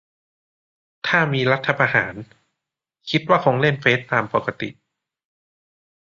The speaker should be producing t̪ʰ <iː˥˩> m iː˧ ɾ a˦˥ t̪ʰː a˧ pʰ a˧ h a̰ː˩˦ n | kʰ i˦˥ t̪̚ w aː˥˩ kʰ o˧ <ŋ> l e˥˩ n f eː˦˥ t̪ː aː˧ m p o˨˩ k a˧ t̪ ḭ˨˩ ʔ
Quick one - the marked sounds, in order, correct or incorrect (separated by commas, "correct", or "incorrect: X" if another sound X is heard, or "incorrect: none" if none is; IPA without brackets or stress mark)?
incorrect: aː˥˩, correct